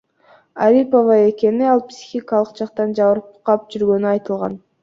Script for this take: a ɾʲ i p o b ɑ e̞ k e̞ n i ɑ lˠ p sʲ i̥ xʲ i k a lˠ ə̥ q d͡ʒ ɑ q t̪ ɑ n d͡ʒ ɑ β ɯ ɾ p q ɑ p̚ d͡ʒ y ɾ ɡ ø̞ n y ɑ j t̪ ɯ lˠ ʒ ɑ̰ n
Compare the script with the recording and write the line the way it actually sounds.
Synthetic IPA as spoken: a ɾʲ i p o v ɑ e̞ k e̞ n i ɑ lˠ p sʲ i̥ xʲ i k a lˠ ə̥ q d͡ʒ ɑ q t̪ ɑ n d͡ʒ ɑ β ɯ ɾ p q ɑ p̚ d͡ʒ y ɾ ɡ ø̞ n y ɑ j t̪ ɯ lˠ ʁ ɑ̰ n